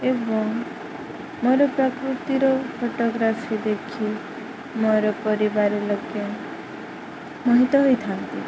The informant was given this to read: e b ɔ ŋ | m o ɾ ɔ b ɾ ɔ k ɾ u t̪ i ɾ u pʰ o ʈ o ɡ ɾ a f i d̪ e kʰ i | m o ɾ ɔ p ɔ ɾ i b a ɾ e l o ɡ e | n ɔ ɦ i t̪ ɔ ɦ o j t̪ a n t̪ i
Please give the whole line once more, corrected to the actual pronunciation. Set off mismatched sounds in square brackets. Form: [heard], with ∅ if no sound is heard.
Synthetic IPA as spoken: e b ɔ ŋ | m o ɾ ɔ [p] ɾ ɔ k ɾ u t̪ i ɾ [ɔ] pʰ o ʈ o ɡ ɾ a f i d̪ e kʰ i | m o ɾ ɔ p ɔ ɾ i b a ɾ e l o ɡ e | [m] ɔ ɦ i t̪ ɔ ɦ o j [t̪ʰ] a n t̪ i